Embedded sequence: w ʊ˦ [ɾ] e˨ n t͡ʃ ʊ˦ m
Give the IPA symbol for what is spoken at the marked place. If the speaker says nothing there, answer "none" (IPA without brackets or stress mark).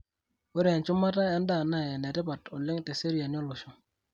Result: ɾ